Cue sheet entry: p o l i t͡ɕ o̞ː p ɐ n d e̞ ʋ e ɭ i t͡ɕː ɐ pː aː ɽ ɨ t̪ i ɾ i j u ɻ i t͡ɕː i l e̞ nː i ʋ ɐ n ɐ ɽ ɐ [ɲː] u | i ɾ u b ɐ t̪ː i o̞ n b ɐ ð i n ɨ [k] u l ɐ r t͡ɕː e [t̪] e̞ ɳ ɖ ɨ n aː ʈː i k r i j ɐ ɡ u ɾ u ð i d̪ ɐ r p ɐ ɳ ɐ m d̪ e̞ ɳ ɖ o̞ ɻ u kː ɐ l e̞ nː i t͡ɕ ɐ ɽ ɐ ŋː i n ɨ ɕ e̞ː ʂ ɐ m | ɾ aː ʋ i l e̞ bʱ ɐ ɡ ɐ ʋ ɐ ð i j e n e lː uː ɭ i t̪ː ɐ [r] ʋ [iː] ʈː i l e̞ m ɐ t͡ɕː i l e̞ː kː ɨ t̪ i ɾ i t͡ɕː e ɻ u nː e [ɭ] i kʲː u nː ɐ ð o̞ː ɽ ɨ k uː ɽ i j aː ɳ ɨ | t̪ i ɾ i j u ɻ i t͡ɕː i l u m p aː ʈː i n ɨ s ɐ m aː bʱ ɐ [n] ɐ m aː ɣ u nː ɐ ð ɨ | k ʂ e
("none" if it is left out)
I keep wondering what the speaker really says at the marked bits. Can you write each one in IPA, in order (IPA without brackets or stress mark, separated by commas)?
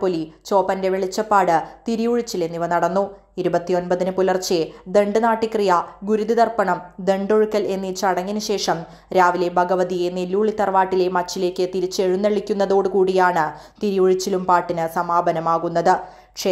nː, p, d̪, r, aː, ɭ, n